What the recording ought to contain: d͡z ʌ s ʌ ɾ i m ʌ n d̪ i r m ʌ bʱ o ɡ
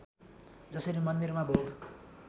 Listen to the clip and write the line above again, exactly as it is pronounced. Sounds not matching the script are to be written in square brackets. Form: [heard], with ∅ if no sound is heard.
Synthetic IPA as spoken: d͡z ʌ s ʌ ɾ i m ʌ n d̪ i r m [a] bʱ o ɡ